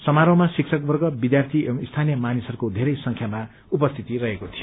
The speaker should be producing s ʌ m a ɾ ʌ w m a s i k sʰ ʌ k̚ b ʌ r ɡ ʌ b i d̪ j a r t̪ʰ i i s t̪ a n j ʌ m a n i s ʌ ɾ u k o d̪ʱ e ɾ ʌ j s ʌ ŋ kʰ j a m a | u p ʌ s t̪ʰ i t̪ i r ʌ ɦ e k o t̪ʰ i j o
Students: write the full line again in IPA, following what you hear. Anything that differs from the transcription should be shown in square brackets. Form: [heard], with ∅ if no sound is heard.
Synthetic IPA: s ʌ m a ɾ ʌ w m a s i k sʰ ʌ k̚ b ʌ r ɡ ʌ b i d̪ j a r t̪ʰ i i s [t̪ʰ] a n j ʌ m a n i s ʌ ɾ u k o d̪ʱ e ɾ ʌ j s ʌ ŋ kʰ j a m a | u p ʌ s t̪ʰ i t̪ i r ʌ ɦ e k o t̪ʰ i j o